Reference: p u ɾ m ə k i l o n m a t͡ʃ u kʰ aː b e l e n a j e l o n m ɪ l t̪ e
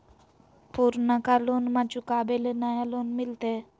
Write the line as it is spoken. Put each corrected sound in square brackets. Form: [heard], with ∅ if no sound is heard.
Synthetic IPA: p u ɾ [n] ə k [a] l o n m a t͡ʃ u [k] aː b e l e n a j [a] l o n m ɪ l t̪ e